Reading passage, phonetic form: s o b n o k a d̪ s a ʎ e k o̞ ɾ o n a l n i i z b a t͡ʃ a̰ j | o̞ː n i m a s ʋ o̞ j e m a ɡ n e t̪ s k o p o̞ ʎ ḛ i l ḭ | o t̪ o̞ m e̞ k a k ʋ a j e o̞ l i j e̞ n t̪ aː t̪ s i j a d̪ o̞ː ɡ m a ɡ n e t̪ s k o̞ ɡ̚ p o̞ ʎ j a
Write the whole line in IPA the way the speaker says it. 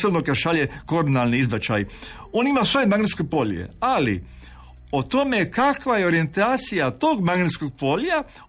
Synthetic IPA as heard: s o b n o k a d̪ ʃ a ʎ e k o̞ ɾ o n a l n i i z b a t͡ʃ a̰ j | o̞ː n i m a s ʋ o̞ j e m a ɡ n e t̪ s k o p o̞ ʎ ḛ a l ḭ | o t̪ o̞ m e̞ k a k ʋ a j e o̞ ɾ i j e̞ n t̪ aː t̪ s i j a t̪ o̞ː ɡ m a ɡ n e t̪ s k o̞ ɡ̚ p o̞ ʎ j a